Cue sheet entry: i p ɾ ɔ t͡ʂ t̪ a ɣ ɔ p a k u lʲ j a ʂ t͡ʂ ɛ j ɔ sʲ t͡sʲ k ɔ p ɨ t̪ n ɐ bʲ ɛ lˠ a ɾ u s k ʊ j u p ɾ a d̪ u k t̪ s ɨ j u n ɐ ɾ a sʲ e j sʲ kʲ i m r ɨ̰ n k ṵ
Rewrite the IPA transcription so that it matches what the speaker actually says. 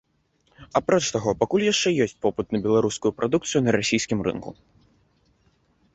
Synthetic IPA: a p ɾ ɔ t͡ʂ t̪ a ɣ ɔ p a k u lʲ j a ʂ t͡ʂ ɛ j ɔ sʲ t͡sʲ p ɔ p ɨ t̪ n ɐ bʲ ɛ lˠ a ɾ u s k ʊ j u p ɾ a d̪ u k t̪ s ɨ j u n ɐ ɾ a sʲ i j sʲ kʲ i m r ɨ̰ n k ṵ